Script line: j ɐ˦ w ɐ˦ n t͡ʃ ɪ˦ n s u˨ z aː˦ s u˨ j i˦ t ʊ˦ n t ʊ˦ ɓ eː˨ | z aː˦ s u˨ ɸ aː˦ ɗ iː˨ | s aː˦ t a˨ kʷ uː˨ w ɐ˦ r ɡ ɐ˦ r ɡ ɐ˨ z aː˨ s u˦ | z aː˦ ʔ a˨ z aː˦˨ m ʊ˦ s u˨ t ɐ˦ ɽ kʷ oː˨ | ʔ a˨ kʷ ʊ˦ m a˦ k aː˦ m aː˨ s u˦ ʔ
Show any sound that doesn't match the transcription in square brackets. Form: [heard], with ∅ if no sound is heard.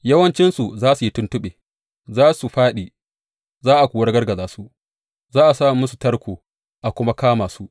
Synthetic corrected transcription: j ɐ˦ w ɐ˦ n t͡ʃ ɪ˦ n s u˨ z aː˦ s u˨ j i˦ t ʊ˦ n t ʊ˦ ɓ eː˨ | z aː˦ s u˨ ɸ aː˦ ɗ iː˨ | [z] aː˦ [ʔ] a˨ kʷ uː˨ w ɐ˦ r ɡ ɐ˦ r ɡ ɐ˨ z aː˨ s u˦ | z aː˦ ʔ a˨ [s] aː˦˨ m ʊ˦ s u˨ t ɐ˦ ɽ kʷ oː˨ | ʔ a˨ kʷ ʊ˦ m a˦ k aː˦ m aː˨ s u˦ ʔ